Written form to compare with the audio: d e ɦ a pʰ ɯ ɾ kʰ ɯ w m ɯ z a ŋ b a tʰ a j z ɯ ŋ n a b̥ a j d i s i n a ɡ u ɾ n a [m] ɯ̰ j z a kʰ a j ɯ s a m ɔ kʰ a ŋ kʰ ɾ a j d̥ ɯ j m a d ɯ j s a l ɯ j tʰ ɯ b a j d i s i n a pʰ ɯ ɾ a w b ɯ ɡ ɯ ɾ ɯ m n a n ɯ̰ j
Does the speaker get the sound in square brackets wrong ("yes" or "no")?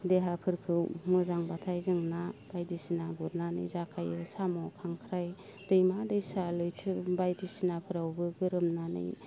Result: yes